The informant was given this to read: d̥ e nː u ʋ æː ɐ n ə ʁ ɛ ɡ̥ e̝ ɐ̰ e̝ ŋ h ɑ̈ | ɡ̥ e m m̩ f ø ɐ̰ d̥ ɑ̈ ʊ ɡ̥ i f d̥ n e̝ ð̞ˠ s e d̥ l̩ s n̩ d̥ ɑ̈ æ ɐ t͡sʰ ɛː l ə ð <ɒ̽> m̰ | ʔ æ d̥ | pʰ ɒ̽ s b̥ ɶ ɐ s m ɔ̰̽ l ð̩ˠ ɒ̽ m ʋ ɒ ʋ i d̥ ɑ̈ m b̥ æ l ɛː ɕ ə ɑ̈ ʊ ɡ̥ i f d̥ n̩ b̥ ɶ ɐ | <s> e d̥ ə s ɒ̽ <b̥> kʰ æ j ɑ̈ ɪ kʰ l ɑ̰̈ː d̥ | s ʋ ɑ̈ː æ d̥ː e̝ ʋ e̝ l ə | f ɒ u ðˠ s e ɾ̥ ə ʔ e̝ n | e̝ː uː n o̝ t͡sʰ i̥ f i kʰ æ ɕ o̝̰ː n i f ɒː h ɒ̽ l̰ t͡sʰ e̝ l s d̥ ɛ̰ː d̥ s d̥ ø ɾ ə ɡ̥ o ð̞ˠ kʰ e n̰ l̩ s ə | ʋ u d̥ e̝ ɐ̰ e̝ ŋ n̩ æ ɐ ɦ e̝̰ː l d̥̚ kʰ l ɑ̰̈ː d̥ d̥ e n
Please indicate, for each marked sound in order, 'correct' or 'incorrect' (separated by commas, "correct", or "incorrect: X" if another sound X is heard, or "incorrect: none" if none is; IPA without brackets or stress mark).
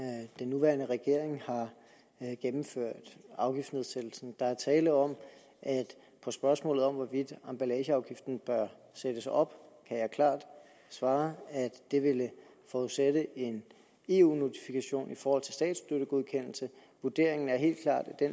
correct, correct, correct